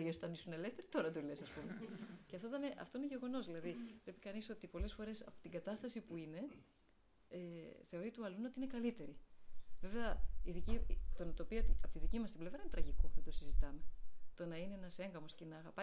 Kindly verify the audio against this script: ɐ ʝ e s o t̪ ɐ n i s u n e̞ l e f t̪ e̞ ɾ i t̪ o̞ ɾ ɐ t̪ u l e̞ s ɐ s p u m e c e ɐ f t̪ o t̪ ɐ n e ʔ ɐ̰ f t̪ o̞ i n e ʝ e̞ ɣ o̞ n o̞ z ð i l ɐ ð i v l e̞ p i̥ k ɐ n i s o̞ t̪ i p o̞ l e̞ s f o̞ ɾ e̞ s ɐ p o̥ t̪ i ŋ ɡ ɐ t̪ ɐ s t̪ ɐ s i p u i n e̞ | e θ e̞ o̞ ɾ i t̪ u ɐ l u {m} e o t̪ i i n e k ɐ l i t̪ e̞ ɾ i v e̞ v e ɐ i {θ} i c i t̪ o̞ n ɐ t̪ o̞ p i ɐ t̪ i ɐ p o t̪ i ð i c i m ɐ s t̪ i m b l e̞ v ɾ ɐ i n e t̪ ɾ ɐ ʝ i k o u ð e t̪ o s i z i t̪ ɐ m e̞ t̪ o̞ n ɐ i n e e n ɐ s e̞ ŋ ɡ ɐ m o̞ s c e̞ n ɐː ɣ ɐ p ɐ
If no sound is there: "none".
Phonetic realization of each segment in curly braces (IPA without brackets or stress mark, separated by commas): n, ð